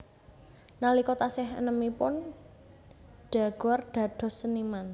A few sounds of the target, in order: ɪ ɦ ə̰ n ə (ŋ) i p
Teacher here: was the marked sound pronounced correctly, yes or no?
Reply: no